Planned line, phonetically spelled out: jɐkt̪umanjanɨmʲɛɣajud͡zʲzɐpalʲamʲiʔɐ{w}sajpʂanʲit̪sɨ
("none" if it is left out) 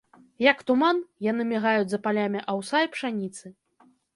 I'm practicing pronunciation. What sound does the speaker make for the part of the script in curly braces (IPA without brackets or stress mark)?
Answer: w